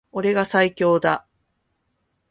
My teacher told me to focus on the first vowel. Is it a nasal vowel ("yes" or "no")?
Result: no